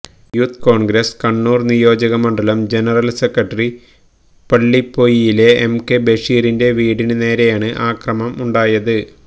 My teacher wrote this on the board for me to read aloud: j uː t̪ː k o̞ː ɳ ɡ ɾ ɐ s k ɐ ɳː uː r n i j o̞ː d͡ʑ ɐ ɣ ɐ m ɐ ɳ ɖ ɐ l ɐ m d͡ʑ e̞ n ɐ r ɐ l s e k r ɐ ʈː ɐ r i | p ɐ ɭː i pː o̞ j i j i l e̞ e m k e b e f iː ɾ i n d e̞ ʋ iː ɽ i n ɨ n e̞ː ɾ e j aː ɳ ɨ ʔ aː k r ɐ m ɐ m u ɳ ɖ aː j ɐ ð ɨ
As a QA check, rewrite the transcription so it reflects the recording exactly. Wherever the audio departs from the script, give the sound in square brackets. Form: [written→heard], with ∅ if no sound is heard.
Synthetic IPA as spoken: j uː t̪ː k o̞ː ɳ ɡ ɾ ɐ s k ɐ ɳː uː r n i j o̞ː d͡ʑ ɐ ɣ ɐ m ɐ ɳ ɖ ɐ l ɐ m d͡ʑ e̞ n ɐ r ɐ l s e k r ɐ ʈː ɐ r i | p ɐ ɭː i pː o̞ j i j i l e̞ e m k e b e [f→ʂ] iː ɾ i n d e̞ ʋ iː ɽ i n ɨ n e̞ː ɾ e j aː ɳ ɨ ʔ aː k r ɐ m ɐ m u ɳ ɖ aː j ɐ ð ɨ

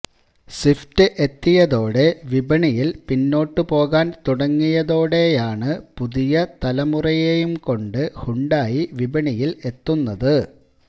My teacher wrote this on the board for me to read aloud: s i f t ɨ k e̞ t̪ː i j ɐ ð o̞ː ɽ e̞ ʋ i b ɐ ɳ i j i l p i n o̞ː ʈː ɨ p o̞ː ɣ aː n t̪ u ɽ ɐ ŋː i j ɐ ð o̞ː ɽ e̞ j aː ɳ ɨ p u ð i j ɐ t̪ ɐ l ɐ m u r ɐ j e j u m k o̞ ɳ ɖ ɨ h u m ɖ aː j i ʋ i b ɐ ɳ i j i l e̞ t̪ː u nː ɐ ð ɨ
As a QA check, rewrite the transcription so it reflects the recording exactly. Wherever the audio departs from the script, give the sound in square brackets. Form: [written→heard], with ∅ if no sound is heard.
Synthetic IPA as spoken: s i f t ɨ [k→ʔ] e̞ t̪ː i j ɐ ð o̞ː ɽ e̞ ʋ i b ɐ ɳ i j i l p i [n→nː] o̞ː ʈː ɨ p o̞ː ɣ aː n t̪ u ɽ ɐ ŋː i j ɐ ð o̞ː ɽ e̞ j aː ɳ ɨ p u ð i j ɐ t̪ ɐ l ɐ m u r ɐ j e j u m k o̞ ɳ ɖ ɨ h u [m→ɳ] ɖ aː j i ʋ i b ɐ ɳ i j i l e̞ t̪ː u nː ɐ ð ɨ

